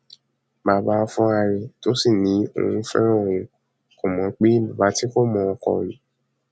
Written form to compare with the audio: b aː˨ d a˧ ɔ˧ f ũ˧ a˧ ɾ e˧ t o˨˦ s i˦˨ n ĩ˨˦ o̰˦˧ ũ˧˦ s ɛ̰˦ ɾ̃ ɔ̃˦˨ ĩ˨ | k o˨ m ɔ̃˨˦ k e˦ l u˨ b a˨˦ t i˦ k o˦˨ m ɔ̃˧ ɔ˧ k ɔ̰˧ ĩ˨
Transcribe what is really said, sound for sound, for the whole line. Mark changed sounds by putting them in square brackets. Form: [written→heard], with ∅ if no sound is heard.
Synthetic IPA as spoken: b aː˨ [d→b] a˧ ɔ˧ f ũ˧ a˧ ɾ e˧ t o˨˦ s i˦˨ n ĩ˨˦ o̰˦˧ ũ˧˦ [s→f] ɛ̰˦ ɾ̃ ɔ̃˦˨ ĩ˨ | k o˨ m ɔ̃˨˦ [k→k͡p] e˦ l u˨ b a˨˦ t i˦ k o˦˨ m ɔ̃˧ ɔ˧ k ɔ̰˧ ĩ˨